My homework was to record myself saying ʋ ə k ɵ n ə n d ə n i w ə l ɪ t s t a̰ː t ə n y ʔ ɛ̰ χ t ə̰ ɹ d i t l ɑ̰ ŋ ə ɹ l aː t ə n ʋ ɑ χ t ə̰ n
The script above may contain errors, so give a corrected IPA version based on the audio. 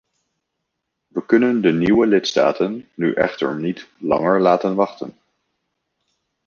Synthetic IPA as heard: ʋ ə k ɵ n ə n d ə n i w ə l ɪ t s t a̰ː t ə nː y ʔ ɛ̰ χ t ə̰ ɹ n i t l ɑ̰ ŋ ə ɹ l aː t ə n ʋ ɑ χ t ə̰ n